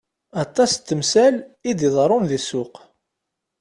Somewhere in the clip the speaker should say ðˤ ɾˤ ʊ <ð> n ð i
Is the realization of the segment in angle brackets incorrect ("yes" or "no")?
yes